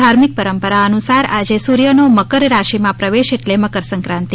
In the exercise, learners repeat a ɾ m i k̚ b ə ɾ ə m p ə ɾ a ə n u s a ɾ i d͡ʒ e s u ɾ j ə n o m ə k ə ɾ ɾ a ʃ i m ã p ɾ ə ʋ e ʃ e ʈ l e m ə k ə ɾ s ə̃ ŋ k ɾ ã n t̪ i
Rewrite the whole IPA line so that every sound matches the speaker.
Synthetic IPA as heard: a ɾ m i k̚ p ə ɾ ə m p ə ɾ a ə n u s a ɾ a d͡ʒ e s u ɾ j ə n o m ə k ə ɾ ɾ a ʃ i m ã p ɾ ə ʋ e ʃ e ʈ l e m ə k ə ɾ s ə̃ ŋ k ɾ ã n t̪ i

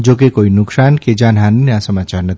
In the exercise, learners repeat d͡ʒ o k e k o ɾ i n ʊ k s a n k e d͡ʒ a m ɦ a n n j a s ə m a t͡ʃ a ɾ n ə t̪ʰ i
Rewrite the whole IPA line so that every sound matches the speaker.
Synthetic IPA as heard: d͡ʒ o k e k o i n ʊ k s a n k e d͡ʒ a n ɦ a n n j a s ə m a t͡ʃ a ɾ n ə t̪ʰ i

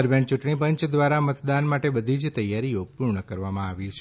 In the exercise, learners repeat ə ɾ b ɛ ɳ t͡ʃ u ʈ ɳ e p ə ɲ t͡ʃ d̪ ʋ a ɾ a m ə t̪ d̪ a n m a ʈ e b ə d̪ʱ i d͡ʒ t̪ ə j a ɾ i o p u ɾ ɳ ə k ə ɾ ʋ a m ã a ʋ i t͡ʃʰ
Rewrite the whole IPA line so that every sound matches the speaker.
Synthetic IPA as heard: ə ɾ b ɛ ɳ t͡ʃ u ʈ ɳ i p ə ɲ t͡ʃ d̪ ʋ a ɾ a m ə t̪ d̪ a n m a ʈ e b ə d̪ʱ i d͡ʒ t̪ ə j a ɾ i o p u ɾ ɳ ə k ə ɾ ʋ a m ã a ʋ i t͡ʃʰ

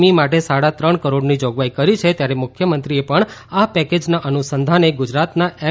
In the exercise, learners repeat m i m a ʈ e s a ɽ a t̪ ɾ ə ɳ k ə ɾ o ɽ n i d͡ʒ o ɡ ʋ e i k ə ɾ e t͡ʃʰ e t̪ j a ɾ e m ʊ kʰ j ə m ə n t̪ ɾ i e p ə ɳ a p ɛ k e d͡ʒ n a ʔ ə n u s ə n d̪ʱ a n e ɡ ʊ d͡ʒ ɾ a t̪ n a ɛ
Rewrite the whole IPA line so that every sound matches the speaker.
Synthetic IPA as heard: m i m a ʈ e s a ɽ a t̪ ɾ ə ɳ k ə ɾ o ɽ n i d͡ʒ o ɡ ʋ a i k ə ɾ i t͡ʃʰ e t̪ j a ɾ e m ʊ kʰ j ə m ə n t̪ ɾ i e p ə ɳ a p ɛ k e d͡ʒ n a ʔ ə n u s ə n d̪ʱ a n e ɡ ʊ d͡ʒ ɾ a t̪ n a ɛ

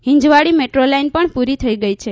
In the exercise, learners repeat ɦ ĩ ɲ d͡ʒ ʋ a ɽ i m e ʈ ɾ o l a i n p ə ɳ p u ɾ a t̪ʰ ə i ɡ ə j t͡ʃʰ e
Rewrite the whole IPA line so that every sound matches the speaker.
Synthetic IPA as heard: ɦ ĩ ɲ d͡ʒ ʋ a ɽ i m e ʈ ɾ o l a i n p ə ɳ p u ɾ i t̪ʰ ə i ɡ ə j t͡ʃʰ e

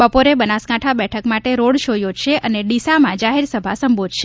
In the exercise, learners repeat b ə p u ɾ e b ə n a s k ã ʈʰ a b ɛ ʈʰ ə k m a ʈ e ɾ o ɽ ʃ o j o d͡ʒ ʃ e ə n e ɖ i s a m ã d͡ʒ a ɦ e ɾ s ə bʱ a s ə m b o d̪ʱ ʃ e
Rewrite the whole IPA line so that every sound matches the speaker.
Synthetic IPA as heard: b ə p o ɾ e b ə n a s k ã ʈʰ a b ɛ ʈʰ ə k m a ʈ e ɾ o ɽ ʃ o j o d͡ʒ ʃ e ə n e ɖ i s a m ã d͡ʒ a ɦ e ɾ s ə bʱ a s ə m b o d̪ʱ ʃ e

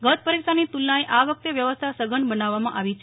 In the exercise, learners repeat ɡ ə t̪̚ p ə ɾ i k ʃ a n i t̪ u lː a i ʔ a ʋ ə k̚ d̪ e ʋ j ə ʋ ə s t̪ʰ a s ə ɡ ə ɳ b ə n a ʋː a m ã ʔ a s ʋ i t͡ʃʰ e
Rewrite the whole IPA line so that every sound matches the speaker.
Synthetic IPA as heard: ɡ ə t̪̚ p ə ɾ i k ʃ a n i t̪ u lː a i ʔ a ʋ ə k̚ t̪ e ʋ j ə ʋ ə s t̪ʰ a s ə ɡ ə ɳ b ə n a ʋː a m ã ʔ a ʋ i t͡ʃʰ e

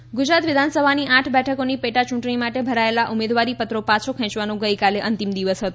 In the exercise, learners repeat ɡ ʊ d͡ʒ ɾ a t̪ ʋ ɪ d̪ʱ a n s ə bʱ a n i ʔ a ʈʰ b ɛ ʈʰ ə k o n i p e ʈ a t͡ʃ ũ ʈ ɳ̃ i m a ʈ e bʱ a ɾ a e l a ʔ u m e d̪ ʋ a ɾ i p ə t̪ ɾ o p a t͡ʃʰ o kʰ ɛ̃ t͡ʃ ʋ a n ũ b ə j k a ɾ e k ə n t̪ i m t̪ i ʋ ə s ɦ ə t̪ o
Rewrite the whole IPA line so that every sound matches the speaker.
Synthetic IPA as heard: ɡ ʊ d͡ʒ ɾ a t̪ ʋ ɪ d̪ʱ a n s ə bʱ a n i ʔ a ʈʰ b ɛ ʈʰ ə k o n i p e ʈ a t͡ʃ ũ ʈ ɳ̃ i m a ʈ e bʱ ə ɾ a e l a ʔ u m e d̪ ʋ a ɾ i p ə t̪ ɾ o p a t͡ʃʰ o kʰ ɛ̃ t͡ʃ ʋ a n ũ ɡ ə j k a l e ʔ ə n t̪ i m d̪ i ʋ ə s ɦ ə t̪ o

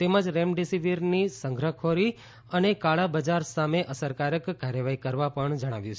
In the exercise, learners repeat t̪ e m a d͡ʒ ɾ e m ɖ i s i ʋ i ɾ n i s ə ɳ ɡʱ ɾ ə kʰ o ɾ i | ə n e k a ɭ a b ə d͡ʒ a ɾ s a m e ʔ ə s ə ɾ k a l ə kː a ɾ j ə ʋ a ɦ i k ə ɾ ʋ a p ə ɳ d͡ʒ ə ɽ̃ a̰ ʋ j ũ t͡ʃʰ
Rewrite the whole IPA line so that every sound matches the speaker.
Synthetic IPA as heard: t̪ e m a d͡ʒ ɾ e m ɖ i s i ʋ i ɾ n i s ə ŋ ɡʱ ɾ ə kʰ o ɾ i | ə n e k a ɭ a b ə d͡ʒ a ɾ s a m e ʔ ə s ə ɾ k a ɾ ə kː a ɾ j ə ʋ a ɦ i k ə ɾ ʋ a p ə ɳ d͡ʒ ə ɽ̃ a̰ ʋ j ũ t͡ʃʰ

